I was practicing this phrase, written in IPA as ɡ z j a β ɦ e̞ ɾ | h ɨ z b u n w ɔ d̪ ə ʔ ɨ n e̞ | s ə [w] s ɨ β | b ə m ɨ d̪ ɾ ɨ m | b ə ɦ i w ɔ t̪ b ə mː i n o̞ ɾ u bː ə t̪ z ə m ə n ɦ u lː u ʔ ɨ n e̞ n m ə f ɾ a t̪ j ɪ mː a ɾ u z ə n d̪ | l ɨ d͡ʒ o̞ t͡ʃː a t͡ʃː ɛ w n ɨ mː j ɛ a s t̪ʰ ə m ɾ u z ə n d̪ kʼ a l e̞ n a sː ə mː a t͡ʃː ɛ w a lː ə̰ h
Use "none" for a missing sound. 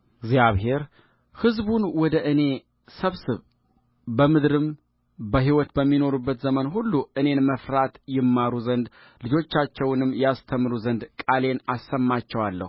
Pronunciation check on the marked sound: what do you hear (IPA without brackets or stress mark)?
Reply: β